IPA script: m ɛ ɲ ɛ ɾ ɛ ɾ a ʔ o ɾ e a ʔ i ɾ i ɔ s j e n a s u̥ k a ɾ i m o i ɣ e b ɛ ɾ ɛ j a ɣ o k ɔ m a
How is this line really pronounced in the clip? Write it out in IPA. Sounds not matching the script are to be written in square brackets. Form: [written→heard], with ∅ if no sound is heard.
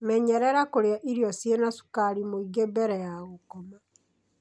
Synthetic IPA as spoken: m ɛ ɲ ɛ ɾ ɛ ɾ a [ʔ→k] o ɾ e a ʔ i ɾ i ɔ s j e n a s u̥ k a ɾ i m o i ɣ e b ɛ ɾ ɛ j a ɣ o k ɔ m a